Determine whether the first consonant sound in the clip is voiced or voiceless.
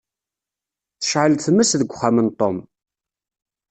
voiceless